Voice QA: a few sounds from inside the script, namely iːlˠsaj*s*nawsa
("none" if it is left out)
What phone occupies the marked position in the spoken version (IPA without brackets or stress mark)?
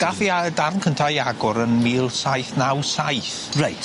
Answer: θ